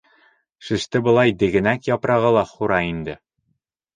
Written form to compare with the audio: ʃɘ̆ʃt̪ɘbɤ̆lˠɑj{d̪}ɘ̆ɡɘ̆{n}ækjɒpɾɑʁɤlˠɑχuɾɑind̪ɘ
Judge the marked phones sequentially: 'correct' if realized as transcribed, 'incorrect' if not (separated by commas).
correct, correct